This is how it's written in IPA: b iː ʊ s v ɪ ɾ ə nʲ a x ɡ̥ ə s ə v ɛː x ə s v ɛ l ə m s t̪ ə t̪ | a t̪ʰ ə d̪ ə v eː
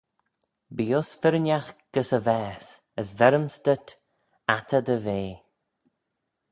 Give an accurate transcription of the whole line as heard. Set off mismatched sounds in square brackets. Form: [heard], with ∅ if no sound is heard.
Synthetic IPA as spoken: b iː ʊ s [f] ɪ ɾ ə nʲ a x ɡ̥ ə s ə v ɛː [s] ə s v ɛ [ɾ] ə m s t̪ ə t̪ | a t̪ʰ ə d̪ ə v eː

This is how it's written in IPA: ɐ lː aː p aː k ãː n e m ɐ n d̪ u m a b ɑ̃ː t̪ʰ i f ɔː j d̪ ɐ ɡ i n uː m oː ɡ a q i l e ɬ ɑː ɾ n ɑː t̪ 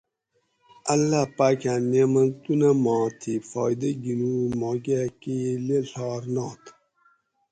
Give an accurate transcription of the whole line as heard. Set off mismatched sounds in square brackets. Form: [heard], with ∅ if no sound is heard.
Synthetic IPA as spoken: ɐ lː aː p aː k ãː n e m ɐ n [t̪] u [n] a [m] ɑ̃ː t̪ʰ i f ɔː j d̪ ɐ ɡ i n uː m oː ɡ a [k] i l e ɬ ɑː ɾ n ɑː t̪

